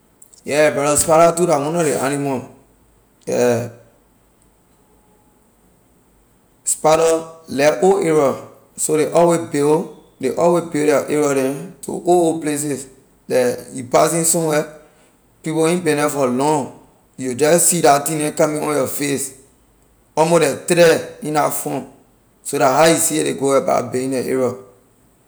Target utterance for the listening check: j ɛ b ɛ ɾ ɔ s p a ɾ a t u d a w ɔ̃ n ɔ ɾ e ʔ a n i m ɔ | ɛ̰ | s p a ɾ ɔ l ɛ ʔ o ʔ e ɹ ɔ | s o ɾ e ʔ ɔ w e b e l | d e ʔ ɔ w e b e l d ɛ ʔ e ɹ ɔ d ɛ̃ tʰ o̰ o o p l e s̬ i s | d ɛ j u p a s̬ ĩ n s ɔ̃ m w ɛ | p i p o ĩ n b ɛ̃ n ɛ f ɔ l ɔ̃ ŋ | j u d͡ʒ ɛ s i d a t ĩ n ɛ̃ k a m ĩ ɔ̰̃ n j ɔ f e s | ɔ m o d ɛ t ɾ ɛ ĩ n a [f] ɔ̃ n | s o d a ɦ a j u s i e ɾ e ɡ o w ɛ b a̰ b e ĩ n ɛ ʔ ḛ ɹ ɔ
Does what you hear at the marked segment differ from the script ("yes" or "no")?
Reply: no